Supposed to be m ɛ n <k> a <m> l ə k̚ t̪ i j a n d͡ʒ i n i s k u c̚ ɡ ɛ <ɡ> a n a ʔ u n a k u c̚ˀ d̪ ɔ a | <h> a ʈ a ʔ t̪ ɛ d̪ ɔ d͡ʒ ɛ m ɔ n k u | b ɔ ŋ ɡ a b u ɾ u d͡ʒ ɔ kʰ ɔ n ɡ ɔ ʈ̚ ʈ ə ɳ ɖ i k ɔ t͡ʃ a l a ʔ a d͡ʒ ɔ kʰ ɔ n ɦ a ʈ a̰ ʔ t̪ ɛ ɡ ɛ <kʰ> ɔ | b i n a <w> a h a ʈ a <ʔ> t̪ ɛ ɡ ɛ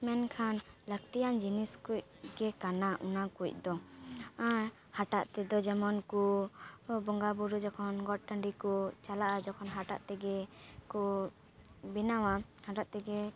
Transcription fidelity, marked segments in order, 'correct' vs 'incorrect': incorrect: kʰ, incorrect: n, incorrect: k, correct, incorrect: k, correct, correct

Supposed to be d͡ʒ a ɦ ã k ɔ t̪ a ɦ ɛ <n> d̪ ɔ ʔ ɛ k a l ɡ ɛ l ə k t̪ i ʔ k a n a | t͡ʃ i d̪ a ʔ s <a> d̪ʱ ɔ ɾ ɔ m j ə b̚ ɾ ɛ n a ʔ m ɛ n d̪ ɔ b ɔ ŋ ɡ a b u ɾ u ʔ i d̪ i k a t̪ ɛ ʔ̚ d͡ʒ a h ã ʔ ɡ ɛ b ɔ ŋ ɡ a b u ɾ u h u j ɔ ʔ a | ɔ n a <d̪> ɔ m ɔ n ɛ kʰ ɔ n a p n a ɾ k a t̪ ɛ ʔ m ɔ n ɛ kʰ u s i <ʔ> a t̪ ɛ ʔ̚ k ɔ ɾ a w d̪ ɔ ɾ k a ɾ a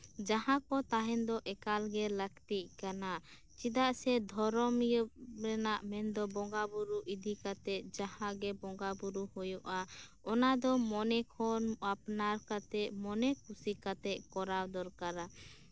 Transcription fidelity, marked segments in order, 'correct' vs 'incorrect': correct, incorrect: ɛ, correct, incorrect: k

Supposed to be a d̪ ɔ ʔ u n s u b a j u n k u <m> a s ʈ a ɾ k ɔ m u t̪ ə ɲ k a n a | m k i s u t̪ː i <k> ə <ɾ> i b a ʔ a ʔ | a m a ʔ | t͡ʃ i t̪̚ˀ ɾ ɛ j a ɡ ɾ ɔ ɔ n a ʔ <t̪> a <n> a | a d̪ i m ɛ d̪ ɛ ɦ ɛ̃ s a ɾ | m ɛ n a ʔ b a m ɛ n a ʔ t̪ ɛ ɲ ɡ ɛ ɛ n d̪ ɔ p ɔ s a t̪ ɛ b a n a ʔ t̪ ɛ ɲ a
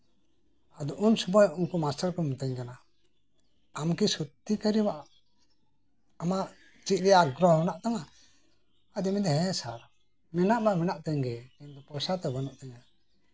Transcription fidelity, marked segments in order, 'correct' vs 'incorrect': correct, correct, correct, correct, incorrect: ŋ

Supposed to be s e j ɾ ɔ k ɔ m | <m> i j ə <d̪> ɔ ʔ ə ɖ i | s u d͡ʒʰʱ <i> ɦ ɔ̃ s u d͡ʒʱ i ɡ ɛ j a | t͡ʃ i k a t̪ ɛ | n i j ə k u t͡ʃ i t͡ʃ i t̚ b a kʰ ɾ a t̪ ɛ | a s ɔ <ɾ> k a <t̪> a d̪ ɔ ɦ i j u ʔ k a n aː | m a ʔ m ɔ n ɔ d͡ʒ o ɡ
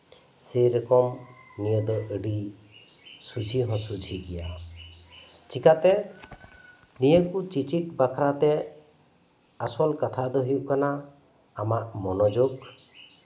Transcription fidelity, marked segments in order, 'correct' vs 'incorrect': incorrect: n, correct, correct, incorrect: l, incorrect: t̪ʰ

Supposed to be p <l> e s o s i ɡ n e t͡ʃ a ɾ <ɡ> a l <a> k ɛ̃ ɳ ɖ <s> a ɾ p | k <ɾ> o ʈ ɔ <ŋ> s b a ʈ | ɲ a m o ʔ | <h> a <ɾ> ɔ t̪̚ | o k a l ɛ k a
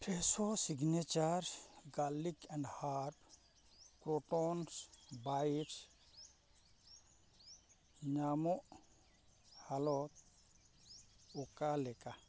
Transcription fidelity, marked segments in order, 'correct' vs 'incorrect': incorrect: ɾ, correct, incorrect: i, incorrect: h, correct, incorrect: n, correct, incorrect: l

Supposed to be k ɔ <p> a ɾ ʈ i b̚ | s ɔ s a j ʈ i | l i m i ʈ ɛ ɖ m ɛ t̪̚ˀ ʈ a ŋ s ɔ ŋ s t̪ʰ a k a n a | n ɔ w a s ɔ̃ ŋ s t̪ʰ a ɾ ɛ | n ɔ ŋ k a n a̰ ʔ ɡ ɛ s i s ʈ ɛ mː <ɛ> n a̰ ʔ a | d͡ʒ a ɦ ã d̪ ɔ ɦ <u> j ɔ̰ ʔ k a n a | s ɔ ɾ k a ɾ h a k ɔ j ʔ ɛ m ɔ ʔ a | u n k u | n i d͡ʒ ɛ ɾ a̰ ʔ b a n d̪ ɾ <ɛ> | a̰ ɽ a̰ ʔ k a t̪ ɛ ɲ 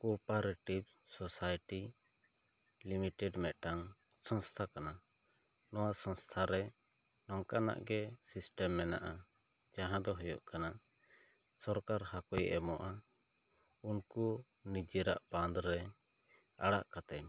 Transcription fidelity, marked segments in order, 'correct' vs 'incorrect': correct, correct, incorrect: ɔ, correct

